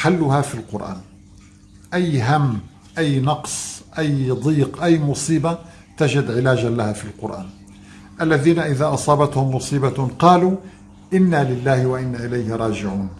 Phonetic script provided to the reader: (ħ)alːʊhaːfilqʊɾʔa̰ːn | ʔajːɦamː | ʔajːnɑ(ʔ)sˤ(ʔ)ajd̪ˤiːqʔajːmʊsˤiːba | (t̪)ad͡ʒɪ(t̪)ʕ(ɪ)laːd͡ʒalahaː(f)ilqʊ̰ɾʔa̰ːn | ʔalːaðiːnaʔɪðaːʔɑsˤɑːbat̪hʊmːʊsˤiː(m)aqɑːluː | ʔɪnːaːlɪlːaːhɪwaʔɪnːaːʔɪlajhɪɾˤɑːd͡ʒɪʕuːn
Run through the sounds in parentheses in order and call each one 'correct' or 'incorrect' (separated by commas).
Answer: correct, incorrect, correct, correct, incorrect, correct, correct, incorrect